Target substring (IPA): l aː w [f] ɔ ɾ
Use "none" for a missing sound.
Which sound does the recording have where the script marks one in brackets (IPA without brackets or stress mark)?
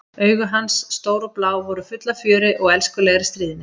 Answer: v